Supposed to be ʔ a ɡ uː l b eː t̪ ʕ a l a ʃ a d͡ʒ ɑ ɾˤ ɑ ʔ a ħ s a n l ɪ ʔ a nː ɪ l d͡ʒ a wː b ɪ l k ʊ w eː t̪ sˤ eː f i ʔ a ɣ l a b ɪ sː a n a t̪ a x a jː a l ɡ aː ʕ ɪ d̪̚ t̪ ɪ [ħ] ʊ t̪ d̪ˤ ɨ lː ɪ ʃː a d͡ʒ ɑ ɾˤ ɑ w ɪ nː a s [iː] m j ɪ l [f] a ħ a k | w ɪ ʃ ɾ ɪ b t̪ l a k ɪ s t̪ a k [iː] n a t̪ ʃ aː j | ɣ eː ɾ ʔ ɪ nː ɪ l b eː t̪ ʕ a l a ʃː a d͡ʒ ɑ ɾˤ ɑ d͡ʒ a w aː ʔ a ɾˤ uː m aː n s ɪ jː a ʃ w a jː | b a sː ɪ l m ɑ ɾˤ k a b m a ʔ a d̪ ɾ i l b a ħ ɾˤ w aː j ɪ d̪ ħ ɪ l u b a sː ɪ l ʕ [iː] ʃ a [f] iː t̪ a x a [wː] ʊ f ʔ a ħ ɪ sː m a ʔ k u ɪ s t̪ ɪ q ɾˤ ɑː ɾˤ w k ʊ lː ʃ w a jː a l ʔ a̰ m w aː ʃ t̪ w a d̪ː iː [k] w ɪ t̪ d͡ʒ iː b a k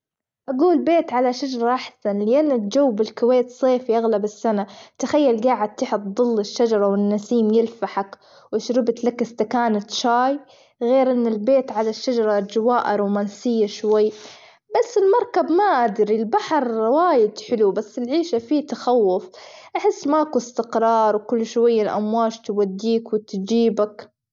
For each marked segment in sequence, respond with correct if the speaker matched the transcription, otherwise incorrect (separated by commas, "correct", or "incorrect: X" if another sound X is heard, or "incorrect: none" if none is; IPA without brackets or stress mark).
correct, correct, correct, incorrect: aː, correct, correct, correct, correct